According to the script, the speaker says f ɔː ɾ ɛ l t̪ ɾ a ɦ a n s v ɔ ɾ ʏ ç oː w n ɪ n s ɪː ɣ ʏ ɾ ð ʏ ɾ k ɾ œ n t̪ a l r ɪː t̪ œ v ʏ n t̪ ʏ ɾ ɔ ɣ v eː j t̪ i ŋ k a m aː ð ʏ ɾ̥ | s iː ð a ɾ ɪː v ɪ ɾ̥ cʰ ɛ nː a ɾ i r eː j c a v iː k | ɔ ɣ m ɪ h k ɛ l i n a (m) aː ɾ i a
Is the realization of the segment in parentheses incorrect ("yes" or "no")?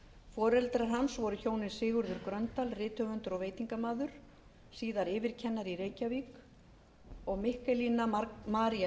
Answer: no